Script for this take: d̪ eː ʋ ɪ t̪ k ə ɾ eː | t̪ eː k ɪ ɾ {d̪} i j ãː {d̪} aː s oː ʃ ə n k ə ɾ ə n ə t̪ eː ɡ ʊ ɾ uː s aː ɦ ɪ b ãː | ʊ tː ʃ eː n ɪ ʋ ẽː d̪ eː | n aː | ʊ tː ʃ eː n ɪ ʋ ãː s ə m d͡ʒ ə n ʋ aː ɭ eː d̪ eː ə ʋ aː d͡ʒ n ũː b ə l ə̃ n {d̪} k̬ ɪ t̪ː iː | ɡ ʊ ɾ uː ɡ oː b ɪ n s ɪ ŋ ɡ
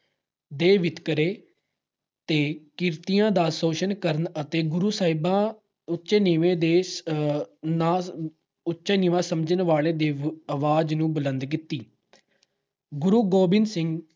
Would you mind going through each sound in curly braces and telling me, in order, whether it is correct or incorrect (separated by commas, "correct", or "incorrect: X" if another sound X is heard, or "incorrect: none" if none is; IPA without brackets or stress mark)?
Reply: incorrect: t̪, correct, correct